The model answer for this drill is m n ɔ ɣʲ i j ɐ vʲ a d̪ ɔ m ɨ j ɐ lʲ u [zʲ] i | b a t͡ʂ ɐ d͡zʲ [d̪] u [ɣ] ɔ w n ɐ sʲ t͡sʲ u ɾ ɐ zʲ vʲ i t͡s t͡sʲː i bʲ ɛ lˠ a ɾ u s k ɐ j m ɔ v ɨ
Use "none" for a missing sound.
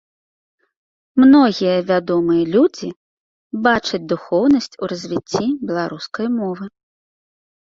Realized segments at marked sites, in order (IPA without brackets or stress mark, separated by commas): d͡zʲ, d̪, x